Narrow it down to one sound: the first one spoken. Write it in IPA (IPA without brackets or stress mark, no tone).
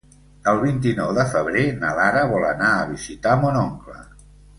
ə